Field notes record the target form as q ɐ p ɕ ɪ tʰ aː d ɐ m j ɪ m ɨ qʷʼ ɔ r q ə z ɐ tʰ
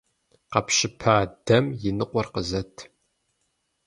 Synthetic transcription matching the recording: q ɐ p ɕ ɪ pʰ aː d ɐ m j ɪ n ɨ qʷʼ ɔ r q ə z ɐ tʰ